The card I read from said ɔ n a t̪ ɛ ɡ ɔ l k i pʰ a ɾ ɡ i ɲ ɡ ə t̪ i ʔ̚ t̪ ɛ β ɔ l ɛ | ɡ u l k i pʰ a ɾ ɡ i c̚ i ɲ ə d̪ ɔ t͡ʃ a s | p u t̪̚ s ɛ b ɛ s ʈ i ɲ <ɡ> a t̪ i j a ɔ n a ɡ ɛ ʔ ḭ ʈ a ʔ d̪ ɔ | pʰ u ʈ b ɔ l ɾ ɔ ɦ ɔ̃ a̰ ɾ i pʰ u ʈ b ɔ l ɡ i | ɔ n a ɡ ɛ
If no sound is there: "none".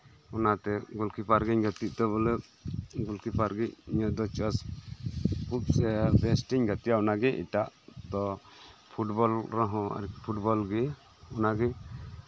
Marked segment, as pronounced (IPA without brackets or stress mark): ɡ